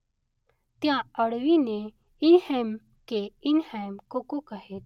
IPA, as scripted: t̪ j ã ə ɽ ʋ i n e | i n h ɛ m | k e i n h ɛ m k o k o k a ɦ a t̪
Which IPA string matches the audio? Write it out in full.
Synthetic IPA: t̪ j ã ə ɽ ʋ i n e | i n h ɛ m | k e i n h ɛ m k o k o k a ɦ e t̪